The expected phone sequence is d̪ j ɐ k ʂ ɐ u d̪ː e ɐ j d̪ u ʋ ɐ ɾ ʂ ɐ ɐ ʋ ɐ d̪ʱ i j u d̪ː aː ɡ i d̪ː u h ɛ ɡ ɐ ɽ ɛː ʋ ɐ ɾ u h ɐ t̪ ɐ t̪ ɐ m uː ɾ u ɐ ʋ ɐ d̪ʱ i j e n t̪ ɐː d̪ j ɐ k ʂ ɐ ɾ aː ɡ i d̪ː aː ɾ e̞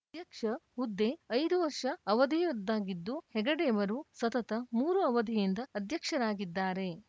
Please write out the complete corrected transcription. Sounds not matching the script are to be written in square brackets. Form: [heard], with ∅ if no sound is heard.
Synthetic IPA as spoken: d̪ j ɐ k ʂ ɐ u d̪ː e ɐ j d̪ u ʋ ɐ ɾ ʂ ɐ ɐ ʋ ɐ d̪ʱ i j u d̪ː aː ɡ i d̪ː u h ɛ ɡ ɐ ɽ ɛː ʋ ɐ ɾ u [s] ɐ t̪ ɐ t̪ ɐ m uː ɾ u ɐ ʋ ɐ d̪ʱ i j [i] n [d̪] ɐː d̪ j ɐ k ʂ ɐ ɾ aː ɡ i d̪ː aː ɾ e̞